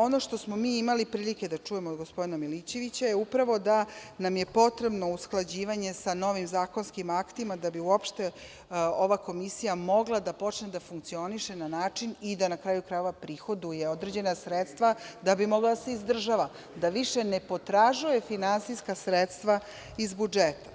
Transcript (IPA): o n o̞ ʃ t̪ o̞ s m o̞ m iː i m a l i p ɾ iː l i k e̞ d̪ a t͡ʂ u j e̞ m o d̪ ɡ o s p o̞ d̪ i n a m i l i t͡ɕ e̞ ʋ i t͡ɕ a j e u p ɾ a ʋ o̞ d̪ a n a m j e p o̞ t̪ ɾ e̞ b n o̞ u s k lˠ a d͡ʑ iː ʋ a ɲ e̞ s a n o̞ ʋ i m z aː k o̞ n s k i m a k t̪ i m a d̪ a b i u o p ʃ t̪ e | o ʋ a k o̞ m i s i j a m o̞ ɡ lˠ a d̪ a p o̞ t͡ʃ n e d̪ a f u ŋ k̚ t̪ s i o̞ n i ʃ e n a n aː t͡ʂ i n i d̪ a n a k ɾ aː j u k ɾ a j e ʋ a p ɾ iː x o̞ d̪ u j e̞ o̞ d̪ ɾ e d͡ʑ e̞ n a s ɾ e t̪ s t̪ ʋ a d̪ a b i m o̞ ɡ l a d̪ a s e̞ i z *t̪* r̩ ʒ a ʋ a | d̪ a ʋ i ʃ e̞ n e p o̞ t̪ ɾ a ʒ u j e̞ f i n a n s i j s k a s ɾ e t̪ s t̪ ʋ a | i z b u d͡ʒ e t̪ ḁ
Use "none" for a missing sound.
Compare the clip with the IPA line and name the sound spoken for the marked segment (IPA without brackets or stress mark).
d̪